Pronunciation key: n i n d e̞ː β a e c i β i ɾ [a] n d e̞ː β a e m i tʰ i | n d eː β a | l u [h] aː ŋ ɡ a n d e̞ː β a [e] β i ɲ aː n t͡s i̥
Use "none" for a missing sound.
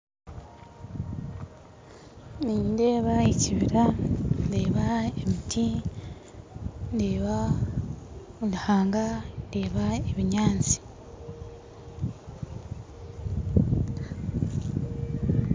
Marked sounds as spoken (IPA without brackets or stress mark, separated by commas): a, h, e